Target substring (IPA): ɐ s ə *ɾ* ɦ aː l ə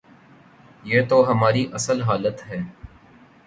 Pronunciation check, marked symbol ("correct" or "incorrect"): incorrect